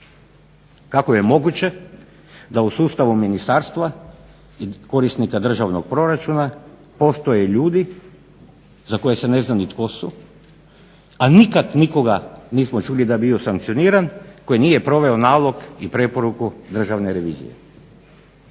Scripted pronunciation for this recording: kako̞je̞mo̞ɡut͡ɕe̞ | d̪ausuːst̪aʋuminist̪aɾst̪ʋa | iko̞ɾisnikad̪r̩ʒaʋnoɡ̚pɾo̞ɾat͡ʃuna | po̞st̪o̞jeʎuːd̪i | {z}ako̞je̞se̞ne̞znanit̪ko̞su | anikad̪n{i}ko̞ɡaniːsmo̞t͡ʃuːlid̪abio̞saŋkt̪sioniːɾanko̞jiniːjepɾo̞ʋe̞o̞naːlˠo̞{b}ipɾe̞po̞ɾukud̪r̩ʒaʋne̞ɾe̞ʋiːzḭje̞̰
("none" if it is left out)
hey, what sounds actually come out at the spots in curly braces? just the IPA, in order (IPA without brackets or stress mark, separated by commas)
z, i, ɡ